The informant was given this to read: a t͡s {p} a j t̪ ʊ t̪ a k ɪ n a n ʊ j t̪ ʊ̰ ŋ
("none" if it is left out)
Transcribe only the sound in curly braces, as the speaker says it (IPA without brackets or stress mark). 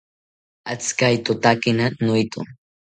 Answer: k